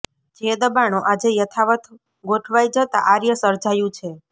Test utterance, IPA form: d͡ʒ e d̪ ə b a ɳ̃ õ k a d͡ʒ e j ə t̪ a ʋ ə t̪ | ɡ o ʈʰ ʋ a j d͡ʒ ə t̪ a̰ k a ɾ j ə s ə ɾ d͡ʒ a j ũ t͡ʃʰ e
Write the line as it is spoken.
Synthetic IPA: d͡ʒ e d̪ ə b a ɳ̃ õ ʔ a d͡ʒ e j ə t̪ʰ a ʋ ə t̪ | ɡ o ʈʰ ʋ a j d͡ʒ ə t̪ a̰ ʔ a ɾ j ə s ə ɾ d͡ʒ a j ũ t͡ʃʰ e